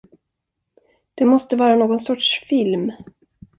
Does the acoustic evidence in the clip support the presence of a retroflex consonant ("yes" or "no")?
yes